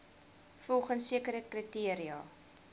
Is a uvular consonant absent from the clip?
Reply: no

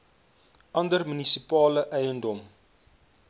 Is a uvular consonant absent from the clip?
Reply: yes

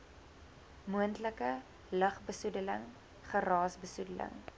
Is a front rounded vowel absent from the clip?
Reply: yes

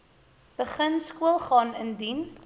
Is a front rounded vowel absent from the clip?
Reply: yes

